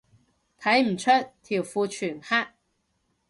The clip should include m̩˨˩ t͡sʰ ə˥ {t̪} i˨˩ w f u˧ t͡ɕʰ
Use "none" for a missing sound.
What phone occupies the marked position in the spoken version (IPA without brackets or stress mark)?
t̪ʰ